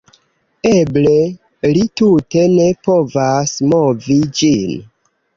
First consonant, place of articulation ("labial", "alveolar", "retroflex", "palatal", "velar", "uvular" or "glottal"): labial